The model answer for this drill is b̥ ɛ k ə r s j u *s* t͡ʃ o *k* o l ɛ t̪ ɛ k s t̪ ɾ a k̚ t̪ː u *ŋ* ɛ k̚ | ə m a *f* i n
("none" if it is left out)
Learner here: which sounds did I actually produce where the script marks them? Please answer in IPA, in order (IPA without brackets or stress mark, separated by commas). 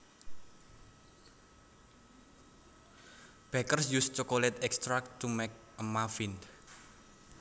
s, k, m, f